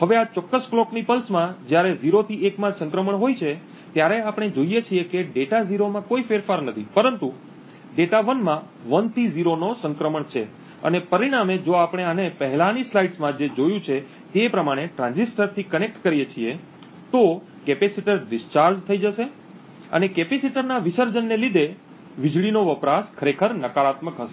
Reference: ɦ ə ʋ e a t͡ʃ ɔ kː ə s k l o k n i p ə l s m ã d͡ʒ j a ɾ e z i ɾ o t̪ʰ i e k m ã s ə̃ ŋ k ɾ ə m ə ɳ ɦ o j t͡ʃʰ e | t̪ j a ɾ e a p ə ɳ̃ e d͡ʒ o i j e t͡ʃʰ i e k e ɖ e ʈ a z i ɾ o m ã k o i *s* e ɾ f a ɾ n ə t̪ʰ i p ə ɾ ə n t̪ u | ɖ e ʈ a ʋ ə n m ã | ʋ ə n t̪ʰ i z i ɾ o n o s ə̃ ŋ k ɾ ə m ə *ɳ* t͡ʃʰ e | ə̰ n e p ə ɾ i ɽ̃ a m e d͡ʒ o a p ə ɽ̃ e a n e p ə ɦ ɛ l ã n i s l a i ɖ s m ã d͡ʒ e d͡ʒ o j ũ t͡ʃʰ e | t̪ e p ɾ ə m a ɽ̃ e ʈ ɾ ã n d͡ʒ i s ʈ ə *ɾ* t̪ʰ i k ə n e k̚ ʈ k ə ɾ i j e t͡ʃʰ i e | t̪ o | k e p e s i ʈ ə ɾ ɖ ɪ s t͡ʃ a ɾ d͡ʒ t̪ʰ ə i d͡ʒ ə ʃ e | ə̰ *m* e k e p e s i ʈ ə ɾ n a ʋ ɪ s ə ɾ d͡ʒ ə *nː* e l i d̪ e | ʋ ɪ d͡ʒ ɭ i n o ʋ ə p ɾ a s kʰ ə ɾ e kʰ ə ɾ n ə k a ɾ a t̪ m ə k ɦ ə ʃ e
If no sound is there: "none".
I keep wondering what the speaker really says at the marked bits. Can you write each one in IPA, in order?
f, ɳ, ɾ, n, nː

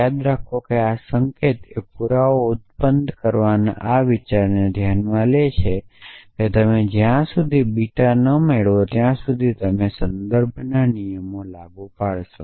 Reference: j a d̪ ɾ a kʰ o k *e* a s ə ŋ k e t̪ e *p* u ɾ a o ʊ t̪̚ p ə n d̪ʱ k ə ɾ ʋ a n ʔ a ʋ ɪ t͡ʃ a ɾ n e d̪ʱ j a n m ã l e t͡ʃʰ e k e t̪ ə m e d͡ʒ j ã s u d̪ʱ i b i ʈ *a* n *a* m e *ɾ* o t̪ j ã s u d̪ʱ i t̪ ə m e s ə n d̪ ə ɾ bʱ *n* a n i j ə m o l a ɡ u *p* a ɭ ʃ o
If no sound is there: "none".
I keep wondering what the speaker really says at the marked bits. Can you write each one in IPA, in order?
e, p, a, ə, ɭ, n, p

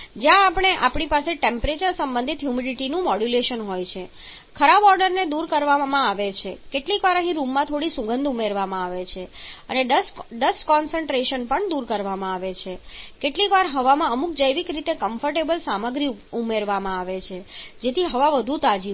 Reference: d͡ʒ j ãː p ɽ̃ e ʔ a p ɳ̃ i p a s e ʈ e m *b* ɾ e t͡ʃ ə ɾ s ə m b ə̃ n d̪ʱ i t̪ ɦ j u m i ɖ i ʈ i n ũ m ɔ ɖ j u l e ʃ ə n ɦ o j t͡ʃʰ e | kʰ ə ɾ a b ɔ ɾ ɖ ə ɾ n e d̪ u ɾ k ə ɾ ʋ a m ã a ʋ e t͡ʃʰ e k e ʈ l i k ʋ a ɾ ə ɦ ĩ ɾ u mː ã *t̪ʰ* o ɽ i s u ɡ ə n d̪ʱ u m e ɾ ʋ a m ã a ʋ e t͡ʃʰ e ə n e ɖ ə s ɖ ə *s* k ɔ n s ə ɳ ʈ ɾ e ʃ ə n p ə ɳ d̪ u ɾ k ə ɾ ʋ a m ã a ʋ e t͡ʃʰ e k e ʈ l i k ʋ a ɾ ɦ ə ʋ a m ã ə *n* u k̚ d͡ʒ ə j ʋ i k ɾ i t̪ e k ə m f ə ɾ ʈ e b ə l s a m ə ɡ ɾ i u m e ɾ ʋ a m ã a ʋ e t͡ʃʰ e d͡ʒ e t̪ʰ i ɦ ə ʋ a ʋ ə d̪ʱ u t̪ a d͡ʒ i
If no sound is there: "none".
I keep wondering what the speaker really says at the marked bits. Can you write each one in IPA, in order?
p, t̪ʰ, s, m

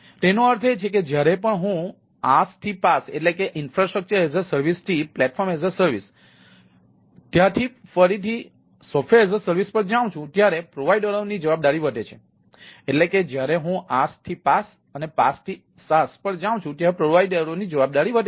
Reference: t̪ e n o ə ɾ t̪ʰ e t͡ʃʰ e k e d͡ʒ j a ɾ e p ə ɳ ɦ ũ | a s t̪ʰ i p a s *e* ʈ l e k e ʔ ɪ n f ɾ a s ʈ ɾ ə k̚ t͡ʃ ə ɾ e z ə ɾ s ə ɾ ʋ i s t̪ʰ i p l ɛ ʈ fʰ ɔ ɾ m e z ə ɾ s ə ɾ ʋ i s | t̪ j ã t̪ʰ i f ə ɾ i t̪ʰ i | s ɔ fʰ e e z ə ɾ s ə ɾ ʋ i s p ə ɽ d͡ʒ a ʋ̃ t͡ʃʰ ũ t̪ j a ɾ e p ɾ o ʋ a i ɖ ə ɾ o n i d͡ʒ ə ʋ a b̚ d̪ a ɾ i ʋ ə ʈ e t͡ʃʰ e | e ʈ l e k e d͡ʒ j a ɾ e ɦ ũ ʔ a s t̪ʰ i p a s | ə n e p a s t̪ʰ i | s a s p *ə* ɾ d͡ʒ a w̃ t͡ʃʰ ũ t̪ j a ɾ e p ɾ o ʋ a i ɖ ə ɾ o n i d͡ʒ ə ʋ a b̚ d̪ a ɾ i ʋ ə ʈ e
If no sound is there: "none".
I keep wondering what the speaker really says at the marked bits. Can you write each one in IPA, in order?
e, ə

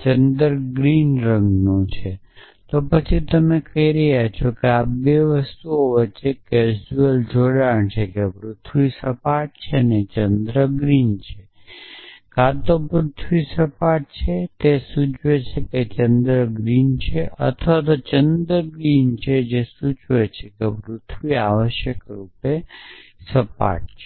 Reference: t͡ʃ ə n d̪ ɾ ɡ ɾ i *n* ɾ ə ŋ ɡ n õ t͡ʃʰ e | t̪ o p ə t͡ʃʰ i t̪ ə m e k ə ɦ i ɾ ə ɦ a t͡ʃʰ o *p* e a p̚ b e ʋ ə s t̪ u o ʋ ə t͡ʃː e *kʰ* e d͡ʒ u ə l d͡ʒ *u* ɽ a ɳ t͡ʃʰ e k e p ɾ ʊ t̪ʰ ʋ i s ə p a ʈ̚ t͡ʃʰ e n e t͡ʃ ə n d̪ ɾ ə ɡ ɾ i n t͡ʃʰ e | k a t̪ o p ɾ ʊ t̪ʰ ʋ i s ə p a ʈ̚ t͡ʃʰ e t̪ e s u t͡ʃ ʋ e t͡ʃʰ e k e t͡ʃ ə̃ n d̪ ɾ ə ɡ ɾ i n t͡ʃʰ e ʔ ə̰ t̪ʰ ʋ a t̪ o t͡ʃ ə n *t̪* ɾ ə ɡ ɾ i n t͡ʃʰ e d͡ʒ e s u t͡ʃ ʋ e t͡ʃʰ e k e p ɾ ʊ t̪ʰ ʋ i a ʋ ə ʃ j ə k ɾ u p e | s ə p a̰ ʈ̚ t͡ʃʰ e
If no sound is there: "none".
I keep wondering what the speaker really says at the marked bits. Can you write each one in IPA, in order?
n, k, k, o, d̪

